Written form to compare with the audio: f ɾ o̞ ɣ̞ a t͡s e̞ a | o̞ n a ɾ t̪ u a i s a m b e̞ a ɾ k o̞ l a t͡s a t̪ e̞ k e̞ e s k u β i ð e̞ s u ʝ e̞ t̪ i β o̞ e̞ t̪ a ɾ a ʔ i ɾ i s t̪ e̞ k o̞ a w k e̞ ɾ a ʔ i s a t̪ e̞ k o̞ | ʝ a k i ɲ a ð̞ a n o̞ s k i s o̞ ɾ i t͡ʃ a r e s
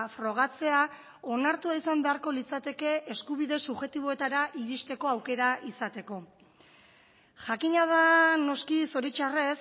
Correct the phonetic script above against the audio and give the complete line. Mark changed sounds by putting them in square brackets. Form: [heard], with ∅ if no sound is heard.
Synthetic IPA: f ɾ o̞ ɣ̞ a t͡s e̞ a | o̞ n a ɾ t̪ u a i s a m b e̞ a ɾ k o̞ l [i] t͡s a t̪ e̞ k e̞ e s k u β i ð e̞ s u ʝ e̞ t̪ i β o̞ e̞ t̪ a ɾ a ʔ i ɾ i s t̪ e̞ k o̞ a w k e̞ ɾ a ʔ i s a t̪ e̞ k o̞ | ʝ a k i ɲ a ð̞ a n o̞ s k i s o̞ ɾ i t͡ʃ a r e s